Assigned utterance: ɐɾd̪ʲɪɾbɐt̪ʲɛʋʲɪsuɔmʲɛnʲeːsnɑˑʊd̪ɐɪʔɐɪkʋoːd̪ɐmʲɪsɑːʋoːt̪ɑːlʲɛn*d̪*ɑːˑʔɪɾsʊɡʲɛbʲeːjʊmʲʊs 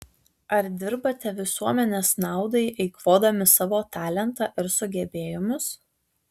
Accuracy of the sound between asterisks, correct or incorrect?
incorrect